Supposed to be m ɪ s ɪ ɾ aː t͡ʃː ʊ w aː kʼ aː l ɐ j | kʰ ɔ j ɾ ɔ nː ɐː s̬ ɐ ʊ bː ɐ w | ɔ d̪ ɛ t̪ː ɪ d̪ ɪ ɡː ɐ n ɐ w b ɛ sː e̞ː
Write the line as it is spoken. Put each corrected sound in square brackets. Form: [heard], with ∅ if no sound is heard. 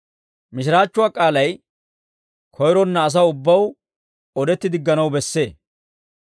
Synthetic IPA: m ɪ [ʃ] ɪ ɾ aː t͡ʃː ʊ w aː kʼ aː l ɐ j | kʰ ɔ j ɾ ɔ nː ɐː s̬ ɐ ʊ bː ɐ w | ɔ d̪ ɛ t̪ː ɪ d̪ ɪ ɡː ɐ n ɐ w b ɛ sː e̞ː